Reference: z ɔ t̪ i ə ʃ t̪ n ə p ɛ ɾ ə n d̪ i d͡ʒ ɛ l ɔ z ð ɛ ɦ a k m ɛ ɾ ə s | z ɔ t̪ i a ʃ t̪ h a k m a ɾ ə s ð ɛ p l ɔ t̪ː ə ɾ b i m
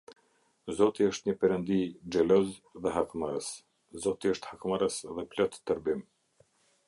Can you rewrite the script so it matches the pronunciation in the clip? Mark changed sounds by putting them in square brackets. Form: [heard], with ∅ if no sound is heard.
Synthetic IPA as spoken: z ɔ t̪ i ə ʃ t̪ [ɲ] ə p ɛ ɾ ə n d̪ i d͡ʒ ɛ l ɔ z ð ɛ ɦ a k m [a] ɾ ə s | z ɔ t̪ i [ə] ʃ t̪ h a k m a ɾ ə s ð ɛ p l ɔ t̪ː ə ɾ b i m